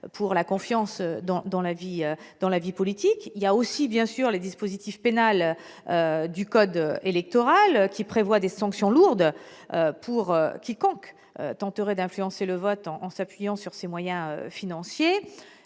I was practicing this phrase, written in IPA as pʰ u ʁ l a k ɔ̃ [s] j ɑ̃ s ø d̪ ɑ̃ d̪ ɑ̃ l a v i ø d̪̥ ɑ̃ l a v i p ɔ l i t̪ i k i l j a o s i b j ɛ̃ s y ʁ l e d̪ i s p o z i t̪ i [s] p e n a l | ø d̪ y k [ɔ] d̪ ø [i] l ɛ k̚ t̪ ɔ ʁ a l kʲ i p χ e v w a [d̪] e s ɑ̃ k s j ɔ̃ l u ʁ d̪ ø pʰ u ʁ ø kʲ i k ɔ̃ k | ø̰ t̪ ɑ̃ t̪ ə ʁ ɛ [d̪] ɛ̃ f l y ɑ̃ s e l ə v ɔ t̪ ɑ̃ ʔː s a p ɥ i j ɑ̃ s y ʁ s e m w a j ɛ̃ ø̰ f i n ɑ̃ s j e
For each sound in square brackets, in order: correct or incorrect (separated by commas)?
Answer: incorrect, incorrect, correct, incorrect, correct, correct